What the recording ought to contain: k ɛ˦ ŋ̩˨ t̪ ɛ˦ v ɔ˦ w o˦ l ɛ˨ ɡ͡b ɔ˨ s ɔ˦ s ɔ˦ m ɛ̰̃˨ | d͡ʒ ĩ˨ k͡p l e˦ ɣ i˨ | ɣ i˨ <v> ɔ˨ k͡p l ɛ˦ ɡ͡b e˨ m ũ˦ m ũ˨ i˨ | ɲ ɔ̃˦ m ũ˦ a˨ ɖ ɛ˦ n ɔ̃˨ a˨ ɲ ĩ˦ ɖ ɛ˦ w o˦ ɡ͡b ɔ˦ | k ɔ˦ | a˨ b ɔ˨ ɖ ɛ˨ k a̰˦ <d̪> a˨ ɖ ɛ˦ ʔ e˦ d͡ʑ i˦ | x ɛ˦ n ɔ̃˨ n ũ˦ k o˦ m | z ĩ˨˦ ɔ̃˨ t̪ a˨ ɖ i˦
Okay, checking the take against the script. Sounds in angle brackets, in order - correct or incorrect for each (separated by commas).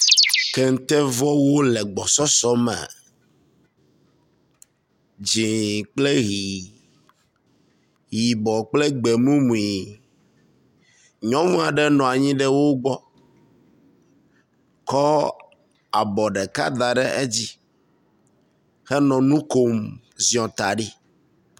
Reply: incorrect, correct